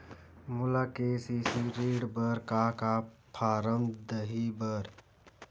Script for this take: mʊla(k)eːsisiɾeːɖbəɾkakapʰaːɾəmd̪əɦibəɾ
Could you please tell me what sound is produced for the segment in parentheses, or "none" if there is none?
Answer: k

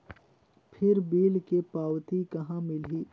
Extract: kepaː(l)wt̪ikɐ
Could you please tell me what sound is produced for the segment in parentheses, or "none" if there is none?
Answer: none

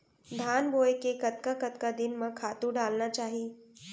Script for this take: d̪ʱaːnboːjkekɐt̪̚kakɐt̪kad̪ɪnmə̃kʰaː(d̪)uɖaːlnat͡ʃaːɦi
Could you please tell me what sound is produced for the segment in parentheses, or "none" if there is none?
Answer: t̪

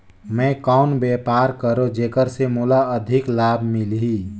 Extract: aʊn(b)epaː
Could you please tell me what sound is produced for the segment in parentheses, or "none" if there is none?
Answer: b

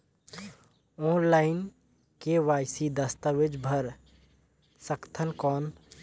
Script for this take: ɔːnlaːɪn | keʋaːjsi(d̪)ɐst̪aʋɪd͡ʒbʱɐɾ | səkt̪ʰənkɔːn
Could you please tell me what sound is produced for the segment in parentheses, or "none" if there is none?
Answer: d̪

